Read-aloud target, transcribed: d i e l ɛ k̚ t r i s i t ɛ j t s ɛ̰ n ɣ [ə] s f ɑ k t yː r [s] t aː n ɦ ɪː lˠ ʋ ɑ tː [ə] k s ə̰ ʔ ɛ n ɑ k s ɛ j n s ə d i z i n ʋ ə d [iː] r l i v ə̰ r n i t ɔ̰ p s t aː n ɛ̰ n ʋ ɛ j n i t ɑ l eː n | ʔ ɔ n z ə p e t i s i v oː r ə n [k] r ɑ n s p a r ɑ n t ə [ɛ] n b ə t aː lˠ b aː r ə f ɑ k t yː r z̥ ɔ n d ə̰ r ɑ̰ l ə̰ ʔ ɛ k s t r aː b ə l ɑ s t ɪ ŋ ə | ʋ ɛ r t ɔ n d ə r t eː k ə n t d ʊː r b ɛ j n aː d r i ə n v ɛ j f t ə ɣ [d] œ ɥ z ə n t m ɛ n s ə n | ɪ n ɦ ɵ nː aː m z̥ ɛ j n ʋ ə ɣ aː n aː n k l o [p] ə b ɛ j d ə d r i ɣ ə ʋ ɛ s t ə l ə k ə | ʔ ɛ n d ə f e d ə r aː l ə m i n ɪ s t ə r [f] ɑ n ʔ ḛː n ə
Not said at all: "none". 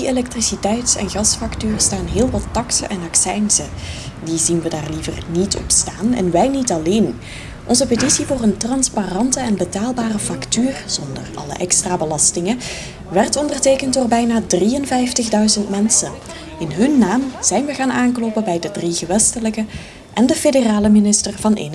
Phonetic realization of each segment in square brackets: ɑ, s, ɑ, aː, t, ɛ, d, p, v

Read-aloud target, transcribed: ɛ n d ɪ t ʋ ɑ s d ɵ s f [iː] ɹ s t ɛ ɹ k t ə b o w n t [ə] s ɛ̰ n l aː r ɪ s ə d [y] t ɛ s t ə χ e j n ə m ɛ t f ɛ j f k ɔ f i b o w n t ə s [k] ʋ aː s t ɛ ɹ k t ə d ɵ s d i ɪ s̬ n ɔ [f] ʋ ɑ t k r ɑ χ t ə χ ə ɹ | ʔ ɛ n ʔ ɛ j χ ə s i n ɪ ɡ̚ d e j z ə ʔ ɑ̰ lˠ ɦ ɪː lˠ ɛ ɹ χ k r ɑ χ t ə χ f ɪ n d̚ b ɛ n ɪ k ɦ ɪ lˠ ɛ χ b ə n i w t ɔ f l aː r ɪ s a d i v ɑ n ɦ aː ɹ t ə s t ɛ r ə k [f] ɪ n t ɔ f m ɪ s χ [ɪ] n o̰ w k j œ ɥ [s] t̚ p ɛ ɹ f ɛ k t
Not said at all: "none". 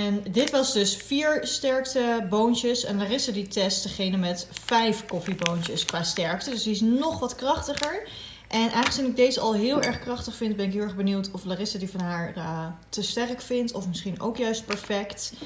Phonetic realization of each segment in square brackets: iː, ə, i, k, χ, f, i, s

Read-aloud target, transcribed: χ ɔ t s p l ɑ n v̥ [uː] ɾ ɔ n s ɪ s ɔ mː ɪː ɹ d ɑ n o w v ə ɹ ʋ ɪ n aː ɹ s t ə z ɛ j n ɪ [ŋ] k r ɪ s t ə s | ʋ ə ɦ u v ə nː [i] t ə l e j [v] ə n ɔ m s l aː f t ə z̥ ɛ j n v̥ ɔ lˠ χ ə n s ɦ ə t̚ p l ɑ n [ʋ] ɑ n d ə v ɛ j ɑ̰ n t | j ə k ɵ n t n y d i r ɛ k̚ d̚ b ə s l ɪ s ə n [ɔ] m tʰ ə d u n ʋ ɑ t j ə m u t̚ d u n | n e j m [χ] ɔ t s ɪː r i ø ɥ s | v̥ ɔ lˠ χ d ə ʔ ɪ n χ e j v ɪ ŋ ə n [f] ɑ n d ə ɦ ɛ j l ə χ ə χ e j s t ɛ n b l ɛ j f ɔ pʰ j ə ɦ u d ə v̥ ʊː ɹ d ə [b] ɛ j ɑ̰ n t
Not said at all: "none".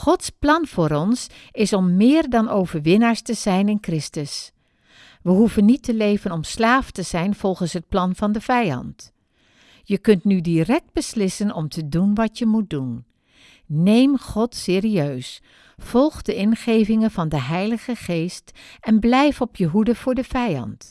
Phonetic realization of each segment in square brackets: ʊː, n, i, v, v, ɔ, χ, v, v

